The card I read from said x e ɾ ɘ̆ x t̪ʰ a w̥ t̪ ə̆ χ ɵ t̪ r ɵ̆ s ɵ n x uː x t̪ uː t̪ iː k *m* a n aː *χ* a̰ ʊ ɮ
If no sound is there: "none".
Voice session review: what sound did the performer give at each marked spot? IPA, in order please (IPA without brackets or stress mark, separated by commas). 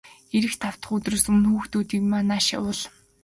m, ʃ